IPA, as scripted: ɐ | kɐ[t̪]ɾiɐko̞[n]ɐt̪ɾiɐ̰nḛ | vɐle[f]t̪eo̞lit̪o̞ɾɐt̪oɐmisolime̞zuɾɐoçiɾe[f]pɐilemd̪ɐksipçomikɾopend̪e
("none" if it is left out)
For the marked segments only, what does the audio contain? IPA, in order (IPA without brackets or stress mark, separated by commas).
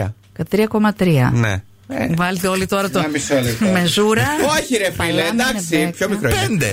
t̪, m, none, f